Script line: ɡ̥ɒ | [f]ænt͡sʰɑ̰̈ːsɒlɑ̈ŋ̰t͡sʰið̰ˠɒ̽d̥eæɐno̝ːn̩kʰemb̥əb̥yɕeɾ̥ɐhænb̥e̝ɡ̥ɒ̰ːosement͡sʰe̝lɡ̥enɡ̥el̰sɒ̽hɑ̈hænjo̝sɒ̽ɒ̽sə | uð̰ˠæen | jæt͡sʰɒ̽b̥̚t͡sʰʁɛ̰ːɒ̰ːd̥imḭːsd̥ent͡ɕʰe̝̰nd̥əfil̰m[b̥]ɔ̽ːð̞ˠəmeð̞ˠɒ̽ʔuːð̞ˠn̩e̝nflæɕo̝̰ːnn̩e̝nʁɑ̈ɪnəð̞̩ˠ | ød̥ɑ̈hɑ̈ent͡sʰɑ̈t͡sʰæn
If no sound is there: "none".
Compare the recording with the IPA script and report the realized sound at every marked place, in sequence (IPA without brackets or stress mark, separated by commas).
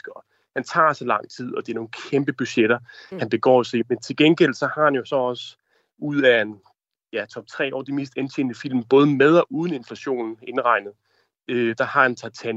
h, b̥